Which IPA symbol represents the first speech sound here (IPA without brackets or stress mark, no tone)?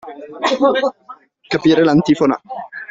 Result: k